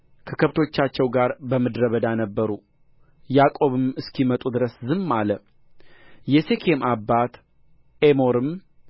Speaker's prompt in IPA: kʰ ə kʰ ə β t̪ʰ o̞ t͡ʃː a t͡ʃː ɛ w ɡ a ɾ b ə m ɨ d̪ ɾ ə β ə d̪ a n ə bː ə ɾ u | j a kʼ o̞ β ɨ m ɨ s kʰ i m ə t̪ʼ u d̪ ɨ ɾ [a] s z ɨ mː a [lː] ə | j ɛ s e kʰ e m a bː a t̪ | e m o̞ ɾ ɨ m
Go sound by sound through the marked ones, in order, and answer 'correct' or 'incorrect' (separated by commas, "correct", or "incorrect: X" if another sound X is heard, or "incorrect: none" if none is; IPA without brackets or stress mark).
incorrect: ə, incorrect: l